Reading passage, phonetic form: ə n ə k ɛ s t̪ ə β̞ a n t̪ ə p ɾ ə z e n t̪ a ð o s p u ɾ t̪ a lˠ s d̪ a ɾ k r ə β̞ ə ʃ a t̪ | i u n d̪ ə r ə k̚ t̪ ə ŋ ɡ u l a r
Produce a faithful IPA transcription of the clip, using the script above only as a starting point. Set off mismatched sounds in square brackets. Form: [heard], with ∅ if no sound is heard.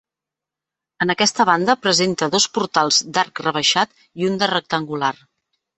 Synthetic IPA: ə n ə k ɛ s t̪ ə β̞ a n [d̪] ə p ɾ ə z e n t̪ [ə] ð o s p u ɾ t̪ a lˠ [z] d̪ a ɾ k r ə β̞ ə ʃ a t̪ | i u n d̪ ə r ə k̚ t̪ ə ŋ ɡ u l a r

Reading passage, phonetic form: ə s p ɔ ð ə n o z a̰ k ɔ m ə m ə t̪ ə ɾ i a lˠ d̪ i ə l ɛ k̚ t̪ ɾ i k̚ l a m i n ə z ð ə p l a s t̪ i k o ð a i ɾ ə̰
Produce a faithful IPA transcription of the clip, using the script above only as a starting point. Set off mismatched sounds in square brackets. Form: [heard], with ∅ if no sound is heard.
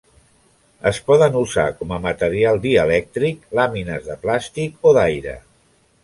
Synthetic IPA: ə s p ɔ ð ə n [u] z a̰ k ɔ m ə m ə t̪ ə ɾ i a lˠ d̪ i ə l ɛ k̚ t̪ ɾ i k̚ l a m i n ə z ð ə p l a s t̪ i k o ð a [j] ɾ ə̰

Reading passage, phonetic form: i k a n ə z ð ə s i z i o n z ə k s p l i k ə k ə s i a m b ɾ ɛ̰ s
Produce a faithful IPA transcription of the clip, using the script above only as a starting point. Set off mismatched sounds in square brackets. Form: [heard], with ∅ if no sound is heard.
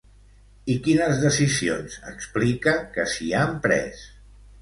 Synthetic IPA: i k [i] n ə z ð ə s i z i o n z ə k s p l i k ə k ə s i a m [p] ɾ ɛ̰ s

